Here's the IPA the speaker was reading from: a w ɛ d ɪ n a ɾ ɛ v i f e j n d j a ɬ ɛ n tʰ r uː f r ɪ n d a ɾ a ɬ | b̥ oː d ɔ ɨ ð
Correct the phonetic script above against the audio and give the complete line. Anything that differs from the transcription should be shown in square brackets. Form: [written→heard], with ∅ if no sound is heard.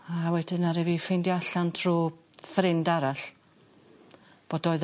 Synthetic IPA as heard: a w ɛ d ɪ n a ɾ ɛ v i f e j n d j a ɬ [ɛ→a] n tʰ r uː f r ɪ n d a ɾ a ɬ | b̥ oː d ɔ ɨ ð

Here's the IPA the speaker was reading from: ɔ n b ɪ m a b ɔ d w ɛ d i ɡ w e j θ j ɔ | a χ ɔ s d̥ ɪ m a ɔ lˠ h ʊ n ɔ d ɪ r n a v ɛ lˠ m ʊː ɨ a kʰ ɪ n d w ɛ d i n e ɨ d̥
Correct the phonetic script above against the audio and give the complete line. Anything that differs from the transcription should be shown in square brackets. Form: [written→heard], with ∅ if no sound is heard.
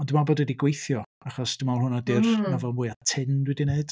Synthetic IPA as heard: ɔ n [b→d] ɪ m a b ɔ d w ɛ d i ɡ w e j θ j ɔ | a χ ɔ s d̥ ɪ m a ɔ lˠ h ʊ n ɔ d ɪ r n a v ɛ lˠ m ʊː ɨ a [kʰ→tʰ] ɪ n d w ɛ d i n e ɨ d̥

